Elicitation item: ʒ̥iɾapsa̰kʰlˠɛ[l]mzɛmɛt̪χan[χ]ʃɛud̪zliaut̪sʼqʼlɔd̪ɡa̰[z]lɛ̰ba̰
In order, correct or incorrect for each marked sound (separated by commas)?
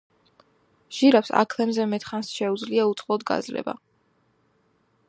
incorrect, incorrect, correct